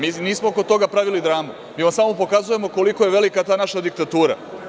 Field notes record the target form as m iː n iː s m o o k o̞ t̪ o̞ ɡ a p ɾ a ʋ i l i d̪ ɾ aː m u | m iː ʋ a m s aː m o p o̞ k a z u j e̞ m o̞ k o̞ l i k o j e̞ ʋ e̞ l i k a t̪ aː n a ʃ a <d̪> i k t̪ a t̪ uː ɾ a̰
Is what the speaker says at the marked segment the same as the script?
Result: yes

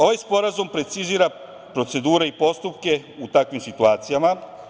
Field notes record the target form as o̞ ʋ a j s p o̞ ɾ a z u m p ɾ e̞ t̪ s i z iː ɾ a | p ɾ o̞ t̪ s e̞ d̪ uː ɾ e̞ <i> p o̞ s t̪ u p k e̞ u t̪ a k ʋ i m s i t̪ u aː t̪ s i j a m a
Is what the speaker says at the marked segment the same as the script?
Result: yes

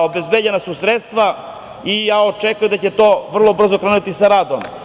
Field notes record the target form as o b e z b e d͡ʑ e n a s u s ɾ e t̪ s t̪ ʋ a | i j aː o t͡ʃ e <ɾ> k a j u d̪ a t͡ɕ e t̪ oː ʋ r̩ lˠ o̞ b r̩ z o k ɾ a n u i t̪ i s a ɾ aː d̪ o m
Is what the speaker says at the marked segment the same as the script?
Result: no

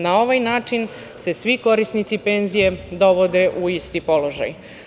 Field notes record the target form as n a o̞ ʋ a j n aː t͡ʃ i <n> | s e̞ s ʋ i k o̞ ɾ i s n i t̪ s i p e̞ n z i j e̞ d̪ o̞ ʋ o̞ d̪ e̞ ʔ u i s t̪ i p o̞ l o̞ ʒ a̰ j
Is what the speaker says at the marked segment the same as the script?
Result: yes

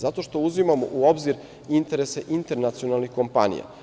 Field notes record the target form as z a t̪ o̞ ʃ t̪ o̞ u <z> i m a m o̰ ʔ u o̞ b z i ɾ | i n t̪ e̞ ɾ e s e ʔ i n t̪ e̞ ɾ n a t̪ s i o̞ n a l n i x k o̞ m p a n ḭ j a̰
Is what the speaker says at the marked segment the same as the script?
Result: yes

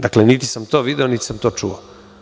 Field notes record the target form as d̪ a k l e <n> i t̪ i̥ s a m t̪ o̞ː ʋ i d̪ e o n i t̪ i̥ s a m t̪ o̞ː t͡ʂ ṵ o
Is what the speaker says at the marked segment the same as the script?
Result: yes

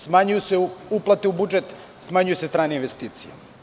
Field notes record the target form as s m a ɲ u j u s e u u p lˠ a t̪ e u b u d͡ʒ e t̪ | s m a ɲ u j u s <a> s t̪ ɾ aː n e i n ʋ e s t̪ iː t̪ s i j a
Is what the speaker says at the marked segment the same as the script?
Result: no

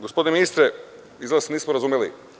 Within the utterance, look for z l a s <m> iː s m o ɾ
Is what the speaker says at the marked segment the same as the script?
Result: no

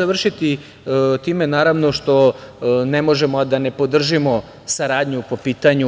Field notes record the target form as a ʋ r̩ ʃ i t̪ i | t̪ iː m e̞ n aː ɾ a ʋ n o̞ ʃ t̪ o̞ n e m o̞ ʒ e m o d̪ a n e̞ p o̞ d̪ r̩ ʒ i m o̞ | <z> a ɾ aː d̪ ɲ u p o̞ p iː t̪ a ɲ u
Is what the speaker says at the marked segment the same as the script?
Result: no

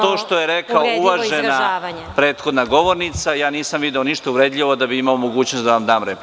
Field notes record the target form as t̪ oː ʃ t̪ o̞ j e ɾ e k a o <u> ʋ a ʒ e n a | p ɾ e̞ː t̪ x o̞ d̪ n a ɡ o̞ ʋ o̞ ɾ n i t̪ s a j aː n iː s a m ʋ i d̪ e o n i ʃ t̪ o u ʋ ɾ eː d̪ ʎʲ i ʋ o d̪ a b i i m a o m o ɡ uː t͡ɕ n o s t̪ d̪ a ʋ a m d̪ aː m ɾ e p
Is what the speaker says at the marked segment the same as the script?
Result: yes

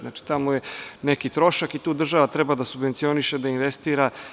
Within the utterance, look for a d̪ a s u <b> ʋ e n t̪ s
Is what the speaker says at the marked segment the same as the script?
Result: yes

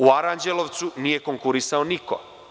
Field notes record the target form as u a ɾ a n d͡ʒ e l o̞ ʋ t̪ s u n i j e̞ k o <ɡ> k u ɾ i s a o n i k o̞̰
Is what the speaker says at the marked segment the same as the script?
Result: no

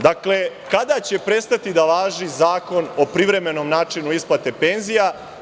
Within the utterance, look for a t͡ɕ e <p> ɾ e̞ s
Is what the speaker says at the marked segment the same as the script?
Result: yes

